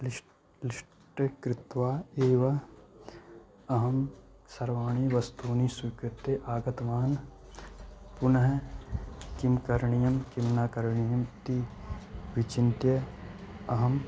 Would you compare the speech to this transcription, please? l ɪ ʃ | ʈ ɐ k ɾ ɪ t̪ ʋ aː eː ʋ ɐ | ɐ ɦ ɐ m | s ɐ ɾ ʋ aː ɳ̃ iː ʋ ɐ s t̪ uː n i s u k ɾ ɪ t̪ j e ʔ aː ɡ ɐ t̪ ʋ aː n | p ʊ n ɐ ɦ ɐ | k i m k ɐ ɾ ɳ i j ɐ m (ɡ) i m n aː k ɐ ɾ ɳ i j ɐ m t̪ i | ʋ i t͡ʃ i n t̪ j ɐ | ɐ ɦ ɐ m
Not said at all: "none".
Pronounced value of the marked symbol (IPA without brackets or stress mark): k